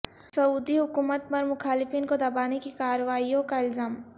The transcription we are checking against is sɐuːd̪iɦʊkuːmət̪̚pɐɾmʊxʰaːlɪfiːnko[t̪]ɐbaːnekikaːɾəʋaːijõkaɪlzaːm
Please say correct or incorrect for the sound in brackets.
incorrect